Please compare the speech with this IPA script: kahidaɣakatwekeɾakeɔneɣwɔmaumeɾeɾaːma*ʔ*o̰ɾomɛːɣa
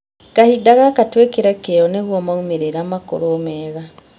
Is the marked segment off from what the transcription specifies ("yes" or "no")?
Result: yes